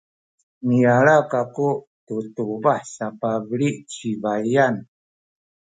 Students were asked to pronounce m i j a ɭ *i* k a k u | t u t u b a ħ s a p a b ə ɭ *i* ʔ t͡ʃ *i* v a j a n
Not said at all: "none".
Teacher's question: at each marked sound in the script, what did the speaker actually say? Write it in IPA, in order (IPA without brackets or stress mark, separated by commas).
a, i, i